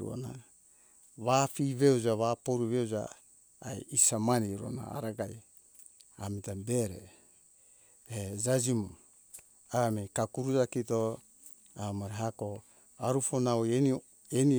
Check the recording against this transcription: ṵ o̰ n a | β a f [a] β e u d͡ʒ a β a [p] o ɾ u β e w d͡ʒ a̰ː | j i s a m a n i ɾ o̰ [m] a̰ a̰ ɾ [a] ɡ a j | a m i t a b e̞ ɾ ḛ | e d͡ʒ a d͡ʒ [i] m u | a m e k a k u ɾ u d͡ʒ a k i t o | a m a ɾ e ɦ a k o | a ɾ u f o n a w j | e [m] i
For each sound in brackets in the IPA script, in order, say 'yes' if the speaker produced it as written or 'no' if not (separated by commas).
no, yes, no, yes, yes, no